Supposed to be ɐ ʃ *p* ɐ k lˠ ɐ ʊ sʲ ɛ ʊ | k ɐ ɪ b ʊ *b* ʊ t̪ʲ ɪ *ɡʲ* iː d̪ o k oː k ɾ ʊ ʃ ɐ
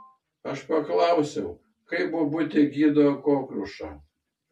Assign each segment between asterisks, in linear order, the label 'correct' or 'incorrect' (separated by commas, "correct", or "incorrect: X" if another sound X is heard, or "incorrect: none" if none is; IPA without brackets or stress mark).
correct, correct, correct